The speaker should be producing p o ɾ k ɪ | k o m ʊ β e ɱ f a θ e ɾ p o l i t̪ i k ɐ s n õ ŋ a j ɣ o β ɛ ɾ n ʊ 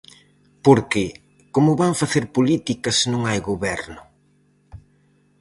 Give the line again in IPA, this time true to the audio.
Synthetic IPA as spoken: p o ɾ k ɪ | k o m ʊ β a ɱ f a θ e ɾ p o l i t̪ i k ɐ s n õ ŋ a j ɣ o β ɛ ɾ n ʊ